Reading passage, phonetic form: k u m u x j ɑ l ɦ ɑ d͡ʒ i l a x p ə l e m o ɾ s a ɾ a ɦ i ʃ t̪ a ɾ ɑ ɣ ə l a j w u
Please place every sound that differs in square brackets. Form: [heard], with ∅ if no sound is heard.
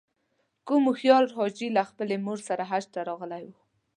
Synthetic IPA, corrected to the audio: k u m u x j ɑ l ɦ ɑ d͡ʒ i l a x p ə l e m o ɾ s a ɾ a ɦ [a] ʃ t̪ a ɾ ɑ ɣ ə l a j w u